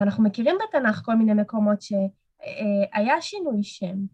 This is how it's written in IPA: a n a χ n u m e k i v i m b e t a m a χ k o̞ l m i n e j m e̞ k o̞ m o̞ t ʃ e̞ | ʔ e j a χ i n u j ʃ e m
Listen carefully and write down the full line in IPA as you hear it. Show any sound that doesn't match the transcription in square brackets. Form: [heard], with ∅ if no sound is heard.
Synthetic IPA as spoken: a n a χ n u m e k i [ʁ] i m b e t a [n] a χ k o̞ l m i n e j m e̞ k o̞ m o̞ t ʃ e̞ | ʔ [a] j a [ʃ] i n u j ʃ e m